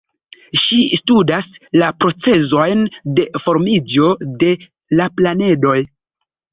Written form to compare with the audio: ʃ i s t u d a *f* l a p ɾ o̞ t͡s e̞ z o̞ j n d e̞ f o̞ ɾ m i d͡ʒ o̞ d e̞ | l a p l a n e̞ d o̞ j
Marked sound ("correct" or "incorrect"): incorrect